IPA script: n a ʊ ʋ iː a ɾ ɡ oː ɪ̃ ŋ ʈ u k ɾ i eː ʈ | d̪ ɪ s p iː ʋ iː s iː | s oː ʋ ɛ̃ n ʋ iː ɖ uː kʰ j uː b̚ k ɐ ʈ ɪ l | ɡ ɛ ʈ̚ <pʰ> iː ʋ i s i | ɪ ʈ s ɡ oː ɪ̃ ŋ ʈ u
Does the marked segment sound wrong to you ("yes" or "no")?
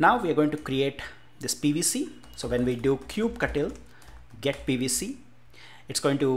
yes